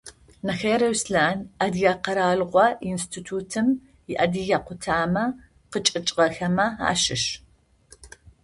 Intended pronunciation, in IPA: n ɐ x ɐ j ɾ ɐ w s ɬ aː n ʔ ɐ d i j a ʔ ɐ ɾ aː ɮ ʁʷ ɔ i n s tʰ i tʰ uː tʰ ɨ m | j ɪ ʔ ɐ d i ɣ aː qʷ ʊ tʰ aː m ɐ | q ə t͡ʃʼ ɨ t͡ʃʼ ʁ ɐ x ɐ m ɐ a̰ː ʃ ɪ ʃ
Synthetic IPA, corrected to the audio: n ɐ x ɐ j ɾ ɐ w s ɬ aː n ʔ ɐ d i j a q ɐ ɾ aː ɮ ʁʷ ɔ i n s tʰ i tʰ uː tʰ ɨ m | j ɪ ʔ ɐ d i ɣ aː qʷ ʊ tʰ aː m ɐ | q ə t͡ʃʼ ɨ t͡ʃʼ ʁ ɐ x ɐ m ɐ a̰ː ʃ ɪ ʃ